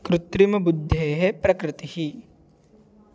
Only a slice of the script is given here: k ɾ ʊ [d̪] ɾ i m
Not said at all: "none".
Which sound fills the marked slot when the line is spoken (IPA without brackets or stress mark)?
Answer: t̪